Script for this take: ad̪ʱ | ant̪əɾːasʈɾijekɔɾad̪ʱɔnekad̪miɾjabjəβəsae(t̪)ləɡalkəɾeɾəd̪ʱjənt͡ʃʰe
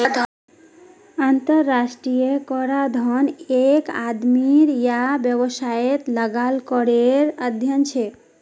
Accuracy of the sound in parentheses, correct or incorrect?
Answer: correct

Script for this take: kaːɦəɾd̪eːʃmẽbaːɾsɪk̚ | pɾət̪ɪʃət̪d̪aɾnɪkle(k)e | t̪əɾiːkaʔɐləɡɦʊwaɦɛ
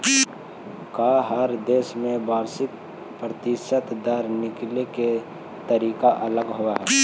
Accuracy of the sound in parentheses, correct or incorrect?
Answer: correct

